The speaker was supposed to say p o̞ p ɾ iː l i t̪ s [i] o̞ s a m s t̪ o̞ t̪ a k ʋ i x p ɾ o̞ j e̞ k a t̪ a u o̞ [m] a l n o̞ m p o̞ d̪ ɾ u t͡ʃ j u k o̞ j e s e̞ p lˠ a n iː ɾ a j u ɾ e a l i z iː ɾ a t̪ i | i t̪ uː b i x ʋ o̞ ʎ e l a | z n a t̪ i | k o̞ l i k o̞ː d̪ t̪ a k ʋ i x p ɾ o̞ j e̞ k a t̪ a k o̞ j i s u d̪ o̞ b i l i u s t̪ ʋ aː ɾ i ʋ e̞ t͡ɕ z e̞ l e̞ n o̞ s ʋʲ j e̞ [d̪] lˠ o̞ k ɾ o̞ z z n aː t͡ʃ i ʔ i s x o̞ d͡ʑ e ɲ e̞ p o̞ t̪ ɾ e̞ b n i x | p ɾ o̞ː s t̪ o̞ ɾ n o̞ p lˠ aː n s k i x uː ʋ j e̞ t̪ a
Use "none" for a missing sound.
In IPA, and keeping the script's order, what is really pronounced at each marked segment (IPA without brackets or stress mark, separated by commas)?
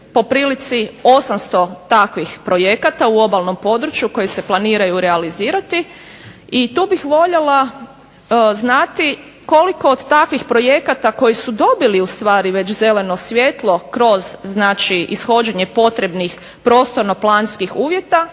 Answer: i, b, t̪